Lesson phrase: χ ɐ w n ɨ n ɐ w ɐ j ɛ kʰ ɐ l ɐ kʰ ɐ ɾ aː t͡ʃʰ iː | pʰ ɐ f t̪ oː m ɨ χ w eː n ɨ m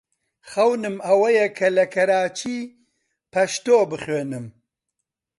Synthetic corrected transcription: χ ɐ w n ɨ m ɐ w ɐ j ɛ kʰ ɐ l ɐ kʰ ɐ ɾ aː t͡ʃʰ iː | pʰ ɐ ʃ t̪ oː b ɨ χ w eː n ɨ m